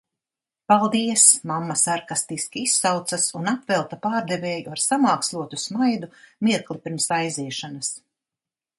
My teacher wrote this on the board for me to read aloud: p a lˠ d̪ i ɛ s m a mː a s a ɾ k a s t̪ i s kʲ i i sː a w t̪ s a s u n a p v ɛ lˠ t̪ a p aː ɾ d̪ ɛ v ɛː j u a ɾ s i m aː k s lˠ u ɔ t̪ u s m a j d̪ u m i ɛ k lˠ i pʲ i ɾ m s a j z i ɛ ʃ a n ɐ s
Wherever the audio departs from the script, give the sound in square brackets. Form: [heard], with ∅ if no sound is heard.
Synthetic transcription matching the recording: p a lˠ d̪ i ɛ s m a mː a s a ɾ k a s t̪ i s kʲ i i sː a w t̪ s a s u n a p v ɛ lˠ t̪ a p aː ɾ d̪ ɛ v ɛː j u a ɾ s [a] m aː k s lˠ u ɔ t̪ u s m a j d̪ u m i ɛ k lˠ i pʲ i ɾ m s a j z i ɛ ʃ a n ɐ s